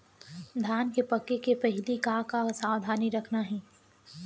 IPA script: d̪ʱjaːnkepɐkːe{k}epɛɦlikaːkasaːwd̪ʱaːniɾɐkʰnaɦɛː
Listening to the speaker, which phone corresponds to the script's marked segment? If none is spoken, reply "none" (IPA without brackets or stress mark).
k